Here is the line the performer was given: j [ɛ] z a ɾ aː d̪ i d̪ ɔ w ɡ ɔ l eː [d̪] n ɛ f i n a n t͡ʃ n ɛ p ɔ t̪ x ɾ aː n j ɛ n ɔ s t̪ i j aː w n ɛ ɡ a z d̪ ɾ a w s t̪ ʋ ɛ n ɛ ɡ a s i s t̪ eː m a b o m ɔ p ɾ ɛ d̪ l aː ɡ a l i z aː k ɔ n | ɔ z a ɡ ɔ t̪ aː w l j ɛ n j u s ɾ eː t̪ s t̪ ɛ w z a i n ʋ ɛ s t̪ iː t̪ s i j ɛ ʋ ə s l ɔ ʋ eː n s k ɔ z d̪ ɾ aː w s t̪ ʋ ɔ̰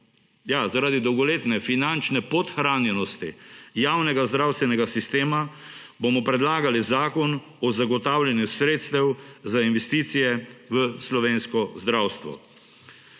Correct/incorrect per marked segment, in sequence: incorrect: a, incorrect: t̪

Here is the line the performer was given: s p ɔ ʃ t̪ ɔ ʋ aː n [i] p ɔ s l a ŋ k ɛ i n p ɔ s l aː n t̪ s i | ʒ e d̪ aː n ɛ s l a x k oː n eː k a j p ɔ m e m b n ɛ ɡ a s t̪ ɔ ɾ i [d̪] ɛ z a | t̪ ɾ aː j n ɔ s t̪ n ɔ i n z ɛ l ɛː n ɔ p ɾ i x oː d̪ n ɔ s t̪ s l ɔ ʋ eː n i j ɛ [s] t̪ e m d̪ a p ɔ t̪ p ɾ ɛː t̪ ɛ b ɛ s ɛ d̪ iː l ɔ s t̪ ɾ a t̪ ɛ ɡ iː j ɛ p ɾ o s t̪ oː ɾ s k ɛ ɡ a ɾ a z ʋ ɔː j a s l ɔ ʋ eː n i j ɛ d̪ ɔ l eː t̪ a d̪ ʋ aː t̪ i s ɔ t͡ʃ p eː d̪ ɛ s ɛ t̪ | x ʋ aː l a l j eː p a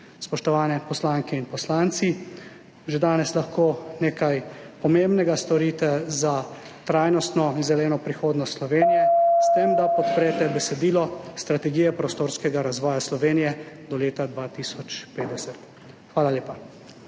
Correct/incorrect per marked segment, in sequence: incorrect: ɛ, incorrect: t̪, correct

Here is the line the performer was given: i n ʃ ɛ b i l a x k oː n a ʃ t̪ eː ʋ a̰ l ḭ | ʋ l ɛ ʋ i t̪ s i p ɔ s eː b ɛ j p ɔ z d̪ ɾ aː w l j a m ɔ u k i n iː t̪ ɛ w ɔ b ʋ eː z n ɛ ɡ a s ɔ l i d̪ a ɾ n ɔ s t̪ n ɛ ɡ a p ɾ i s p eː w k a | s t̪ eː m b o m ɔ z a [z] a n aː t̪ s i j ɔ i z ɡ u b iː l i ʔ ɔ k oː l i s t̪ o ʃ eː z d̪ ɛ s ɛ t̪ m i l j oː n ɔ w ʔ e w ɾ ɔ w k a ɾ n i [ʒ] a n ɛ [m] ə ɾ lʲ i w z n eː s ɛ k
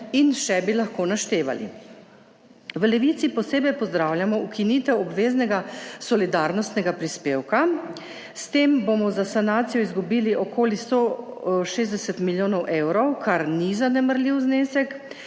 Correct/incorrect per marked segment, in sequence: incorrect: s, incorrect: z, correct

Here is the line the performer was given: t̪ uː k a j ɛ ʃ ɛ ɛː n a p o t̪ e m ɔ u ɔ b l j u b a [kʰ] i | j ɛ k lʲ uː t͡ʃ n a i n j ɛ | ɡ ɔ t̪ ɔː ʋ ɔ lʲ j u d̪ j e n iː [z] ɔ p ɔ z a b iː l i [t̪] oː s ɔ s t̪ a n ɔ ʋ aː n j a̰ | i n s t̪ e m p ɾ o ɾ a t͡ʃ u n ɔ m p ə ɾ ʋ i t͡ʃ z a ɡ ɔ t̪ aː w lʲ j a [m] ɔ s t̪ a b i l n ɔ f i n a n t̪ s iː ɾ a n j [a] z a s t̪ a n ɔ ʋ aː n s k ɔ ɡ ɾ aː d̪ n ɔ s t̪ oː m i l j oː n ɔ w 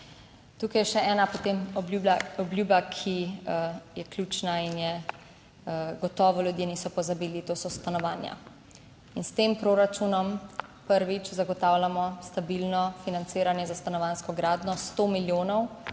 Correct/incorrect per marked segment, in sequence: correct, incorrect: s, correct, correct, incorrect: ɛ

